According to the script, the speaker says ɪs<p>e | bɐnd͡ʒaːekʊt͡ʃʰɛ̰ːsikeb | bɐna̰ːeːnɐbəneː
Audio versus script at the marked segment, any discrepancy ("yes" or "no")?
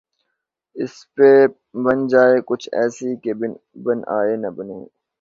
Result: no